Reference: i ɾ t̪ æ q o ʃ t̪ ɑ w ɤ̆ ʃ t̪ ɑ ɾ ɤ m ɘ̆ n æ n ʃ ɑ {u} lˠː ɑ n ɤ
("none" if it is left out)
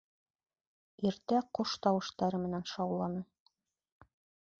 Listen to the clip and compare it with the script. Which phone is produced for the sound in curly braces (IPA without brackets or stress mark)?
w